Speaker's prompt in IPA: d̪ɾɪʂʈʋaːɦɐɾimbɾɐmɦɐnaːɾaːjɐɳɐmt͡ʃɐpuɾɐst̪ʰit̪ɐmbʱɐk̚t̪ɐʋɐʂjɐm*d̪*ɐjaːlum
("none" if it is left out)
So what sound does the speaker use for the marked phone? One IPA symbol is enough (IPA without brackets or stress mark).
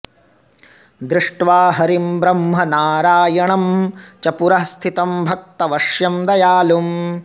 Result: d̪